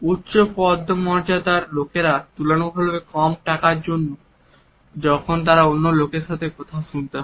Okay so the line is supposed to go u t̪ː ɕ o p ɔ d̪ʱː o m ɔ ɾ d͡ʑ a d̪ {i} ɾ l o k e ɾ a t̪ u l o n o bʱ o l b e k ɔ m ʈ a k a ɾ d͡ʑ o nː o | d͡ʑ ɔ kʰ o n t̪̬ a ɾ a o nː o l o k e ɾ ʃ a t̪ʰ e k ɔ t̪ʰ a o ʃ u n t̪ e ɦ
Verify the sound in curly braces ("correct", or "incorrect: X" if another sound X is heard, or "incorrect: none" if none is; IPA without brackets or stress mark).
incorrect: a